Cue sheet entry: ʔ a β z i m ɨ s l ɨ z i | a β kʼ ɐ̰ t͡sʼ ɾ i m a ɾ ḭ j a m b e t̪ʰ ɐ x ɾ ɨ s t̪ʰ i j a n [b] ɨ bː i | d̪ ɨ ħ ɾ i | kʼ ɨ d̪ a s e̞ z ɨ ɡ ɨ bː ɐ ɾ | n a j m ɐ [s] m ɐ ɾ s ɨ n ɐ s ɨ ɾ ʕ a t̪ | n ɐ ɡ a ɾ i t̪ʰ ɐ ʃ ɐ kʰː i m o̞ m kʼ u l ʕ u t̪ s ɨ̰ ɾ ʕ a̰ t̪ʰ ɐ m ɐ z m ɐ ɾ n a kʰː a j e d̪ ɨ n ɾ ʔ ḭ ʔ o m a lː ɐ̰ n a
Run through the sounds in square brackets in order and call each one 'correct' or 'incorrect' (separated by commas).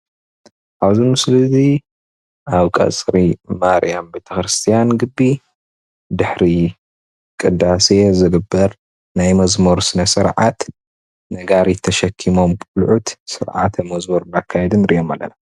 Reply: incorrect, incorrect